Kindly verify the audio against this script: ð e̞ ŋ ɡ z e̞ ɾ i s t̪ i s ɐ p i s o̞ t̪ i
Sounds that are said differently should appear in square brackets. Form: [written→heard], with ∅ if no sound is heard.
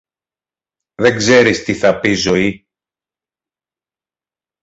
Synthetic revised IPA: ð e̞ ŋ ɡ z e̞ ɾ i s t̪ i [s→θ] ɐ p i [s→z] o̞ [t̪→∅] i